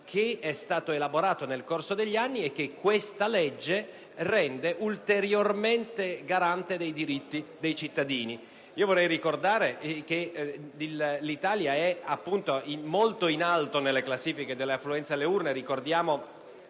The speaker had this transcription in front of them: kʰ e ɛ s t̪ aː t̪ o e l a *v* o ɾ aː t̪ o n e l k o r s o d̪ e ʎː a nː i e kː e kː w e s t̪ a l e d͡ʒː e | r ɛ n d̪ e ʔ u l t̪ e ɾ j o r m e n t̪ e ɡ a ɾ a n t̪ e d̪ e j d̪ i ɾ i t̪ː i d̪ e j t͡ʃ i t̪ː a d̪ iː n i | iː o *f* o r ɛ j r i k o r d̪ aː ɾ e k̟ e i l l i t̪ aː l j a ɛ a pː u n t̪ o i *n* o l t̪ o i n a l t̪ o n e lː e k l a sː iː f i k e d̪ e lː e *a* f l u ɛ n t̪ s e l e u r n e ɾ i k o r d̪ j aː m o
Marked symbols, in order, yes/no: no, no, no, yes

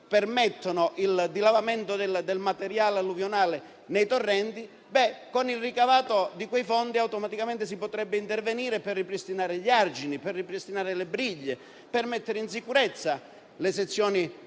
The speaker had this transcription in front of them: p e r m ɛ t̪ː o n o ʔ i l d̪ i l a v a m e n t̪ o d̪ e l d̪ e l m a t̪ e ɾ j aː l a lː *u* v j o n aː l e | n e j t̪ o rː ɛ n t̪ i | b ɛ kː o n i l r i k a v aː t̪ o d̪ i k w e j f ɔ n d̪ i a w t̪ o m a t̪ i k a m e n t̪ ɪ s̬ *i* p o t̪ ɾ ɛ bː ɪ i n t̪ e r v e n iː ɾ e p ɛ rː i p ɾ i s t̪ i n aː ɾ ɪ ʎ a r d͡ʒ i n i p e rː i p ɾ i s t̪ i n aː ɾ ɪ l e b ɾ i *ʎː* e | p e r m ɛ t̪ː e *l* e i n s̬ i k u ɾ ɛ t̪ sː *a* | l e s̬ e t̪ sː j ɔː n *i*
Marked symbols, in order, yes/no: yes, yes, yes, no, yes, yes

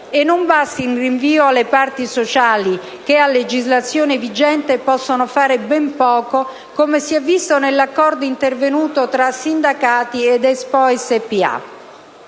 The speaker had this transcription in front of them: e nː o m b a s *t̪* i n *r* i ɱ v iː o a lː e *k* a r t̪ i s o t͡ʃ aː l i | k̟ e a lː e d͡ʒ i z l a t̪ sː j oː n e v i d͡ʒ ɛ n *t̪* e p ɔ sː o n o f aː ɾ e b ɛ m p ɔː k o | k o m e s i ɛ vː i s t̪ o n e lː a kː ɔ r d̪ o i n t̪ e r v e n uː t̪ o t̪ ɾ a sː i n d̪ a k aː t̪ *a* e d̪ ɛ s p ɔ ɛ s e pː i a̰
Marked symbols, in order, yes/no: yes, yes, no, yes, no

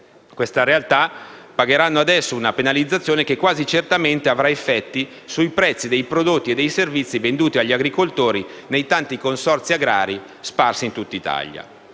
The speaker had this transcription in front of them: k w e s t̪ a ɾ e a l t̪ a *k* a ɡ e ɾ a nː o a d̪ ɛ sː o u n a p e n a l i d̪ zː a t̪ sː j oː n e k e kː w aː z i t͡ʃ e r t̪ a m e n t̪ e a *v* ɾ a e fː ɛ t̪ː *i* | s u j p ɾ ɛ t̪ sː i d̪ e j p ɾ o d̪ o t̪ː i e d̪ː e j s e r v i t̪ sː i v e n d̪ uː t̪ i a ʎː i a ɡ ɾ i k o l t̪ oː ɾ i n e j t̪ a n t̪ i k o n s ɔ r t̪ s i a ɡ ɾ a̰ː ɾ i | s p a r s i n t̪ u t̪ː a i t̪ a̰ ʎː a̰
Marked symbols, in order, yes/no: no, yes, yes

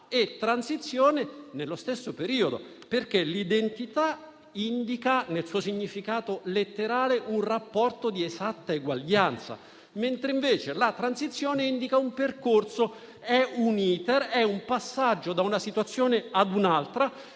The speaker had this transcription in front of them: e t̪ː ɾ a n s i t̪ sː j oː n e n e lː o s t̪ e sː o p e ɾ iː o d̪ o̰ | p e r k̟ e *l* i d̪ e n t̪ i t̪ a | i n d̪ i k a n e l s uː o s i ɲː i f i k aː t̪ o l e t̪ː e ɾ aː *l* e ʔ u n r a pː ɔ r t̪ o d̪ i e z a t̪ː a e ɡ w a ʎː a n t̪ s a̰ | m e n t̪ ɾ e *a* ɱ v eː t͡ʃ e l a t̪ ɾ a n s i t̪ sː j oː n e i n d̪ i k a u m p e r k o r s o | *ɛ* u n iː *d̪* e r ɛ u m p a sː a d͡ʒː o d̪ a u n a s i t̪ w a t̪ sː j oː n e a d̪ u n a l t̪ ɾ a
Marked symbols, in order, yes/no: yes, yes, no, yes, no

